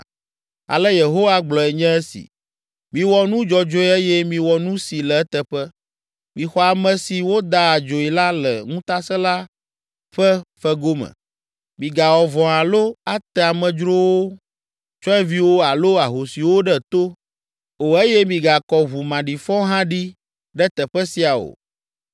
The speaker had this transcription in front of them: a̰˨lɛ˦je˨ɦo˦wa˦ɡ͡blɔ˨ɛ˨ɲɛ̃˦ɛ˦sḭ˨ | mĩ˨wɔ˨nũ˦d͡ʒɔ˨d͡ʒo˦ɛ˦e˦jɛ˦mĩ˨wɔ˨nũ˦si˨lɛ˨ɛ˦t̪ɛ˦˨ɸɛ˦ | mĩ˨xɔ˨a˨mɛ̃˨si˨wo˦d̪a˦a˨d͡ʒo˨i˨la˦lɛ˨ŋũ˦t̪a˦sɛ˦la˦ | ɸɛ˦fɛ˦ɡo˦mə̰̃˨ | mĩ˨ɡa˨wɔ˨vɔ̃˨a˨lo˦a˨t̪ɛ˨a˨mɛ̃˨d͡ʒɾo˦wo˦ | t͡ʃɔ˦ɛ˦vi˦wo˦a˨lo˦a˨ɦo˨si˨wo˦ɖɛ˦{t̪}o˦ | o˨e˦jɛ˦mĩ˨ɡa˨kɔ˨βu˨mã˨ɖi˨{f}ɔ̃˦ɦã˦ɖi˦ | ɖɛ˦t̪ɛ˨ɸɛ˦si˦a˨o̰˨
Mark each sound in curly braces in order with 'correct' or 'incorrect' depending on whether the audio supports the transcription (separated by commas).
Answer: correct, correct